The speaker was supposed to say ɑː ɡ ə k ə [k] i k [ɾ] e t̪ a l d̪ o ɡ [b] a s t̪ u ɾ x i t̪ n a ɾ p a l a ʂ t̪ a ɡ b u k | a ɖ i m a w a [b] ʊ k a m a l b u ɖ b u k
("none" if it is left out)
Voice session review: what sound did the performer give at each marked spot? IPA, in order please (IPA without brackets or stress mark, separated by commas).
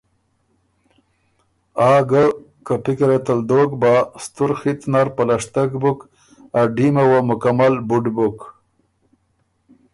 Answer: p, ɾ, b, m